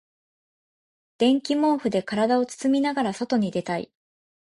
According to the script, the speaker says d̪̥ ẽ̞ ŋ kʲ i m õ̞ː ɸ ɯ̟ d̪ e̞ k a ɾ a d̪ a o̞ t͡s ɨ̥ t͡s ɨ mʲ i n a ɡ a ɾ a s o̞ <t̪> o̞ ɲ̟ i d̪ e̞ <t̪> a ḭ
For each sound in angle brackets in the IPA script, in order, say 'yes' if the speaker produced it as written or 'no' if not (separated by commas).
yes, yes